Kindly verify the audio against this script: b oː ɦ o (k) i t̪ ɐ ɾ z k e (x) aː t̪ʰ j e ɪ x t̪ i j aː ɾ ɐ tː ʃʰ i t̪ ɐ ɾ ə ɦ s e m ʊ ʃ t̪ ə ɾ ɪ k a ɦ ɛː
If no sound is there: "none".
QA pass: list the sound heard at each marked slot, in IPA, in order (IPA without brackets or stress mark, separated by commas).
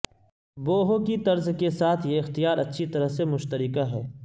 k, s